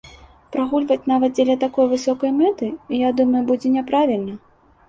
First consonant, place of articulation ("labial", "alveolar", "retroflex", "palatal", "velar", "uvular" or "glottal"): labial